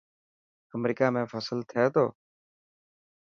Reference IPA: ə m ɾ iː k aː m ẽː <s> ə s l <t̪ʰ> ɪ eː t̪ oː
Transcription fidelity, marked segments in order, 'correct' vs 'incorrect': incorrect: f, correct

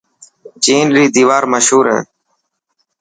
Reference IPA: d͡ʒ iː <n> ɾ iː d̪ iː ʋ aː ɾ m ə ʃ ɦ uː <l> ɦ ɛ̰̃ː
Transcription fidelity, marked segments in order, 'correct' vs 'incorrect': correct, incorrect: ɾ

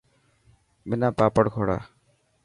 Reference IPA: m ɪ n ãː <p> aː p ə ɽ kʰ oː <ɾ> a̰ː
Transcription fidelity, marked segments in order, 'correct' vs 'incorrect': correct, incorrect: ɽ

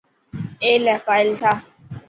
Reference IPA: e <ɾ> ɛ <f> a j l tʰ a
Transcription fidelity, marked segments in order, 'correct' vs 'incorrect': incorrect: l, correct

